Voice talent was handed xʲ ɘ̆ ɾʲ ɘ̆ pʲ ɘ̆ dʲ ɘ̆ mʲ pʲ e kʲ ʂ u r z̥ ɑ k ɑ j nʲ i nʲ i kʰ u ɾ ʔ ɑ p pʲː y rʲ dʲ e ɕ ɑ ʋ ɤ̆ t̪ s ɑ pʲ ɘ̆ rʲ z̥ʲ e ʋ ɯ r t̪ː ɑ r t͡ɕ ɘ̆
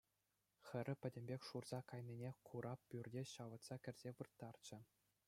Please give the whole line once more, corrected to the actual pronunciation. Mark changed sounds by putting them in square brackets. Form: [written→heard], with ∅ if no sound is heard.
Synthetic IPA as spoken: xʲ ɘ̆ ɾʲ ɘ̆ pʲ ɘ̆ dʲ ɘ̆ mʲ [pʲ→bʲ] e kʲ ʂ u r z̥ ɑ k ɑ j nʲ i nʲ [i→e] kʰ u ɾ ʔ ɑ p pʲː y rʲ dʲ e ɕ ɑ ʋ ɤ̆ t̪ s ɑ [pʲ→kʲ] ɘ̆ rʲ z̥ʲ e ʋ ɯ r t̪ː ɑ r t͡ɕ ɘ̆